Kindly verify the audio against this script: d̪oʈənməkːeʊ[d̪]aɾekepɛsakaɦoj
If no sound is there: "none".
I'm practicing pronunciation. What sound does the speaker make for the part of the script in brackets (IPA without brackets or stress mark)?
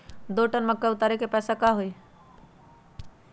t̪